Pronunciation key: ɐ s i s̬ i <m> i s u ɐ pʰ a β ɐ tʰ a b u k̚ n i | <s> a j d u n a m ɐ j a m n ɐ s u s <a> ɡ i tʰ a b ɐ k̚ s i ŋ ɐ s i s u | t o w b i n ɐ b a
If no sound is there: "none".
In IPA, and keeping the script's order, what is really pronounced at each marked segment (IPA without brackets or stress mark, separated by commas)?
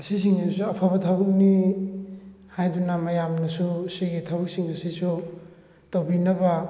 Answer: ŋ, h, i